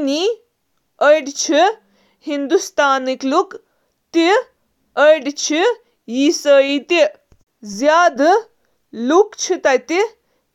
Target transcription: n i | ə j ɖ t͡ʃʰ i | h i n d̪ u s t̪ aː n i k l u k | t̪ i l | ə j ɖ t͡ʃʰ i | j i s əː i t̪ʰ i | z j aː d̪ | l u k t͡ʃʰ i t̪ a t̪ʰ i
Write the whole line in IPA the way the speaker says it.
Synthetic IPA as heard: n i | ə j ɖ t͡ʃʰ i | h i n d̪ u s t̪ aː n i k l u k | t̪ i | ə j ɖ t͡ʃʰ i | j i s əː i t̪ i | z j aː d̪ | l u k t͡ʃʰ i t̪ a t̪ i